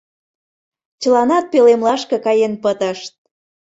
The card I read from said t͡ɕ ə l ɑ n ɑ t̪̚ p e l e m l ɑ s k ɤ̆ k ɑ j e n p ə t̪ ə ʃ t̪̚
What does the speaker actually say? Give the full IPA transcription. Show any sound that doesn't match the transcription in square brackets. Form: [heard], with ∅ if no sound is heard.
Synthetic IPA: t͡ɕ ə l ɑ n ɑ t̪̚ p e l e m l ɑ [ʃ] k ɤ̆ k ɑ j e n p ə t̪ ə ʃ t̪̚

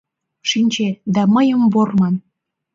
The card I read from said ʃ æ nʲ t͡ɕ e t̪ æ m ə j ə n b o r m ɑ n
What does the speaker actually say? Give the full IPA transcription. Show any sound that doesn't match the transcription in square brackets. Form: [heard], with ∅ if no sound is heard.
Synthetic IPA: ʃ [i] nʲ t͡ɕ e [d̪] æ m ə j ə [m] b o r m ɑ n

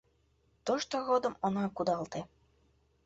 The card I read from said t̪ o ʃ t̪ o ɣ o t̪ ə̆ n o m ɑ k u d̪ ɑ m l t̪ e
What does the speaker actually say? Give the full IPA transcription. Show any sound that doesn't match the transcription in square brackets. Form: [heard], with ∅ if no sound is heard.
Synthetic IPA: t̪ o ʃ t̪ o ɣ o [d̪] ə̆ [m] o [n] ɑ k u d̪ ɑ [∅] l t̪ e

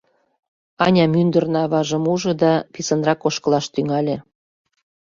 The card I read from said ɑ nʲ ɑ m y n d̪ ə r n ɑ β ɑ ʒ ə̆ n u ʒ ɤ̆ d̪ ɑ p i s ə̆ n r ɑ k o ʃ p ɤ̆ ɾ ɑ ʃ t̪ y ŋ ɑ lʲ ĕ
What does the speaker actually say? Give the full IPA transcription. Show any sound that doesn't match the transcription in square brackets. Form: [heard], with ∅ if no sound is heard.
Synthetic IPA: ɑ nʲ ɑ m y n d̪ ə r n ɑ β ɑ ʒ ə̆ [m] u ʒ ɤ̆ d̪ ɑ p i s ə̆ n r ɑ k o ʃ [k] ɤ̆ [l] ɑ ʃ t̪ y ŋ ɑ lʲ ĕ

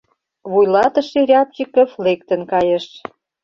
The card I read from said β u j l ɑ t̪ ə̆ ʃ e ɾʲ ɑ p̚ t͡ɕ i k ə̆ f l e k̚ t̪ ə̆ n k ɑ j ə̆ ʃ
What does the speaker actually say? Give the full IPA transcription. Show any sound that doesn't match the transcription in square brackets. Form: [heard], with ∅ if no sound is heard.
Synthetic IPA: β u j l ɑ t̪ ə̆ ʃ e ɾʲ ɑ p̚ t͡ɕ i k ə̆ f l e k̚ t̪ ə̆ n k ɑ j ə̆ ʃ

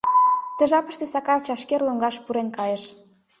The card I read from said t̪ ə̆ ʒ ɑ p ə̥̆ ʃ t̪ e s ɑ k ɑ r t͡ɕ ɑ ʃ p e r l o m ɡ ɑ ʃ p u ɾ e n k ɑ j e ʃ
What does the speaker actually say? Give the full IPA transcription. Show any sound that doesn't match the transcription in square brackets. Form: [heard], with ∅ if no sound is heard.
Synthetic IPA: t̪ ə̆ ʒ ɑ p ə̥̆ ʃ t̪ e s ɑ k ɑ r t͡ɕ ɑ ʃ [k] e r l o [ŋ] ɡ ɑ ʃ p u ɾ e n k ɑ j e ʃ

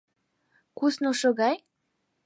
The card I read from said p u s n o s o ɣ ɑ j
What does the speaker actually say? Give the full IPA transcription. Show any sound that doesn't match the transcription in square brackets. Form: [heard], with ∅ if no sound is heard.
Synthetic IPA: [k] u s n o [ʃ] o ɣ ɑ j

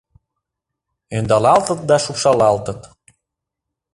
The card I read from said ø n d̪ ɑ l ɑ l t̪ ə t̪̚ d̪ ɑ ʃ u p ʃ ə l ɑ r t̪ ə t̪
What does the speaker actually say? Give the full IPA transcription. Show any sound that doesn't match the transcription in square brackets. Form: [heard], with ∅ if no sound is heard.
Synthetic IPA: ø n d̪ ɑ l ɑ l t̪ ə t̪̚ d̪ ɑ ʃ u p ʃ [ɑ] l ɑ [l] t̪ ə t̪

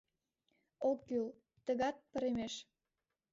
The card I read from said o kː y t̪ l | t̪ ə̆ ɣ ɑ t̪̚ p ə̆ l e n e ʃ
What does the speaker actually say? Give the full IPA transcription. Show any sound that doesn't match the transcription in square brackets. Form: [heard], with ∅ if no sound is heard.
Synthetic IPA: o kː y [∅] l | t̪ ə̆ ɣ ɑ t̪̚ p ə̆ [ɾ] e [m] e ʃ

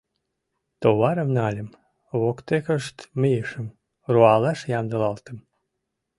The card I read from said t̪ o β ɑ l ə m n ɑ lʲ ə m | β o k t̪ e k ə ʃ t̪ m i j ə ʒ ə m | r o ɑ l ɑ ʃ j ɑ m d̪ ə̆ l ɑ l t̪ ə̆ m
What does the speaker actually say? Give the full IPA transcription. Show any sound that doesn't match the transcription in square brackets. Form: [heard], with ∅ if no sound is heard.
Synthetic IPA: t̪ o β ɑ [ɾ] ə m n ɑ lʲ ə m | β o k t̪ e k ə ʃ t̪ m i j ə [ʃ] ə m | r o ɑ l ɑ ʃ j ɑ m d̪ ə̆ l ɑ l t̪ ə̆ m

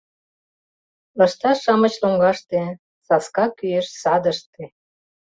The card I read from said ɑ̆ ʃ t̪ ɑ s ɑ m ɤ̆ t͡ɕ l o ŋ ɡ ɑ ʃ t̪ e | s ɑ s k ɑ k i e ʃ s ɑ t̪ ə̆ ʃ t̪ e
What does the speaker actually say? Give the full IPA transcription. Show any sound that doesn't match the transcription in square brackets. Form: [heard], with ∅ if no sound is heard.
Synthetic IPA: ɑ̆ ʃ t̪ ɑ [ʃ] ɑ m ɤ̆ t͡ɕ l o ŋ ɡ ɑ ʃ t̪ e | s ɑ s k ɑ k [y] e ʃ s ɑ [d̪] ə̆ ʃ t̪ e

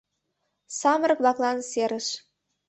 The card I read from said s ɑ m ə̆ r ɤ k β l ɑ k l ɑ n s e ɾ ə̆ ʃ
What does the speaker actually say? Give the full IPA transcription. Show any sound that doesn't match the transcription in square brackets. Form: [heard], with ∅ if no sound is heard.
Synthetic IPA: s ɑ m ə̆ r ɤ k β l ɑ k l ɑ n s e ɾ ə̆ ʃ

